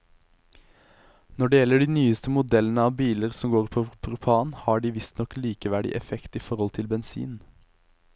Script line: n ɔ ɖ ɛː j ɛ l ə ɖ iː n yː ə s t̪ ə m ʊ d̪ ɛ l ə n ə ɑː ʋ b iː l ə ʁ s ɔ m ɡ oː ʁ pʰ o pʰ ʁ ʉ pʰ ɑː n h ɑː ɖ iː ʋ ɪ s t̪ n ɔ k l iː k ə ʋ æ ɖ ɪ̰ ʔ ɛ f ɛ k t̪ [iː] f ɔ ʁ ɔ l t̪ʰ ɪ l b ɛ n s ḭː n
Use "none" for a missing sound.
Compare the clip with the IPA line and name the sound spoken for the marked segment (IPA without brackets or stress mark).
iː